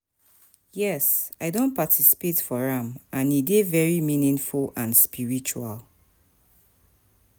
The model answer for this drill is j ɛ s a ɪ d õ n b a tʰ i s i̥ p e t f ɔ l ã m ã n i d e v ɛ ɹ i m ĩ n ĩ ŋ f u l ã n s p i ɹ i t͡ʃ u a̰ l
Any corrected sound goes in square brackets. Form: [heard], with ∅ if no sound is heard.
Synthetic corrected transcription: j ɛ s a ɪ d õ n [p] a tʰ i s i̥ p e t f ɔ [ɹ] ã m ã n i d e v ɛ ɹ i m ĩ n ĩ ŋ f u l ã n s p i ɹ i t͡ʃ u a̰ l